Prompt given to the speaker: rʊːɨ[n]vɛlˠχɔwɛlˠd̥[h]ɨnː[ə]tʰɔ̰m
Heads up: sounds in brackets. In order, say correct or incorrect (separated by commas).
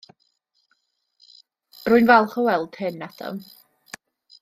correct, correct, incorrect